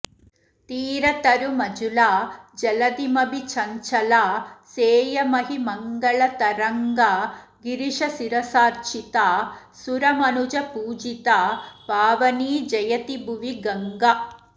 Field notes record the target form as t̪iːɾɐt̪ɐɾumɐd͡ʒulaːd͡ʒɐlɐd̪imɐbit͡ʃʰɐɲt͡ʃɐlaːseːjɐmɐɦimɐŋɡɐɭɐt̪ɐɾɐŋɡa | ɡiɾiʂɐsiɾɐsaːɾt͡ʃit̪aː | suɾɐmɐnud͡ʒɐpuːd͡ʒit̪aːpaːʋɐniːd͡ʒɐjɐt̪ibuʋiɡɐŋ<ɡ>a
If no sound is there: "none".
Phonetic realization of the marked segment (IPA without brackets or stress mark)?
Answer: ɡ